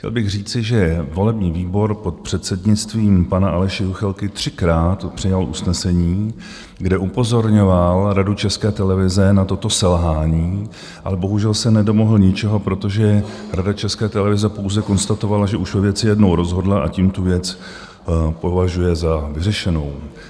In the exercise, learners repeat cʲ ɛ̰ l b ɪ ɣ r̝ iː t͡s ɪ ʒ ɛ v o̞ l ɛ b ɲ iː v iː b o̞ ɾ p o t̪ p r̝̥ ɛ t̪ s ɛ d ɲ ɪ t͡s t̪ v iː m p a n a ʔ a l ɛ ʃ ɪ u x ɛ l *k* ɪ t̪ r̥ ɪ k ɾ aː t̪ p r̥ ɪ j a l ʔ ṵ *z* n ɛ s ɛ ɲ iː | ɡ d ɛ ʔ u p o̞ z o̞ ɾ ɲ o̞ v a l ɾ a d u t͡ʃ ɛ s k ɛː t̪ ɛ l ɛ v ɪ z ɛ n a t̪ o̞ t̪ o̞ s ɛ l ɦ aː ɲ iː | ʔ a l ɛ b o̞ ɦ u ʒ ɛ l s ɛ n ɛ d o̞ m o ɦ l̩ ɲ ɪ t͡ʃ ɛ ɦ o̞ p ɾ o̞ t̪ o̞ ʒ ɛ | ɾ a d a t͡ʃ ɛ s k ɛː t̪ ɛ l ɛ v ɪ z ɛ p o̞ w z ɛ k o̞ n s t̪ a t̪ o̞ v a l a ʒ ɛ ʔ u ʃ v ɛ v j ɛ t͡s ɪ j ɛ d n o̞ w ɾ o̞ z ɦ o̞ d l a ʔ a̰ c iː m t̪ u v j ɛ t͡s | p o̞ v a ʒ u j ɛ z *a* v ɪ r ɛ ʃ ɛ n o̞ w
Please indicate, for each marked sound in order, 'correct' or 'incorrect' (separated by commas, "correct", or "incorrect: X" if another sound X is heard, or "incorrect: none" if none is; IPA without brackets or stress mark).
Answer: correct, incorrect: s, correct